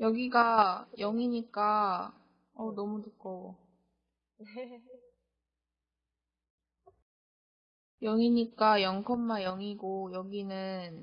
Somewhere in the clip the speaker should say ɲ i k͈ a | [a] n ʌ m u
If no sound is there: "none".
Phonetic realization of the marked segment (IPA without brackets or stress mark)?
ʌ